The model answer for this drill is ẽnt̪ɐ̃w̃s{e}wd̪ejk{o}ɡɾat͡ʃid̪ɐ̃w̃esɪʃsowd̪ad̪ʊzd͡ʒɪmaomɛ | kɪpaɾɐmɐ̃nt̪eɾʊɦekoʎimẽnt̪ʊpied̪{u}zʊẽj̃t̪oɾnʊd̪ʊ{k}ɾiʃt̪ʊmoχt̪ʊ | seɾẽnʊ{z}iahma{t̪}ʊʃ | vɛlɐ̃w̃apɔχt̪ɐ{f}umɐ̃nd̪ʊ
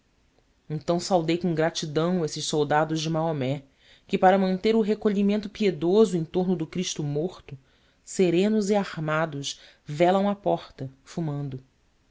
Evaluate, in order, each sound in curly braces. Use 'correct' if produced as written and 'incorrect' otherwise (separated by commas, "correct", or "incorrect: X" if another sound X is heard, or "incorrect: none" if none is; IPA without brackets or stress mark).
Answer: incorrect: a, incorrect: õ, incorrect: o, correct, correct, incorrect: d̪, correct